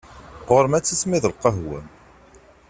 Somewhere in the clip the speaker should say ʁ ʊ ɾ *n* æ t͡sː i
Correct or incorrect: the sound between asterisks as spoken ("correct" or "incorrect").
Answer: incorrect